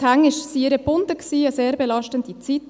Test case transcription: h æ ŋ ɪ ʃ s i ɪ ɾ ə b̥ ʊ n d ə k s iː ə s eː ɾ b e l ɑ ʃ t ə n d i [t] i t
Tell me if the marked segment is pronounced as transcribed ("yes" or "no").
no